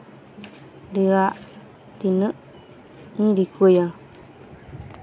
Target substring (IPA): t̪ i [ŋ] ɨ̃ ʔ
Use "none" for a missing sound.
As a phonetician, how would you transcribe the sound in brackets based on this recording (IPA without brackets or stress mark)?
n